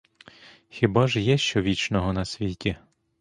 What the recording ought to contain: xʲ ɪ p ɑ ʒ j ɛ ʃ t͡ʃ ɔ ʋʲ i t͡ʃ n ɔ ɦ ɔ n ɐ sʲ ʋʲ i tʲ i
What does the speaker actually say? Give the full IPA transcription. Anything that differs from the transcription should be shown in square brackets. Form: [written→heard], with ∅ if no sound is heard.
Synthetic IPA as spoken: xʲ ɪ [p→b] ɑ ʒ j ɛ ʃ t͡ʃ ɔ ʋʲ i t͡ʃ n ɔ ɦ ɔ n ɐ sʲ ʋʲ i tʲ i